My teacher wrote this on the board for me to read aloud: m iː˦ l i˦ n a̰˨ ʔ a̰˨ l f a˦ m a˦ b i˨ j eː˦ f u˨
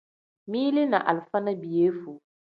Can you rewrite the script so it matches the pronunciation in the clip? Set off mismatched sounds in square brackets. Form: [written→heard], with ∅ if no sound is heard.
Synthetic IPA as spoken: m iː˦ l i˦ n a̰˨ ʔ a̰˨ l f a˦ [m→n] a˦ b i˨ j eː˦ f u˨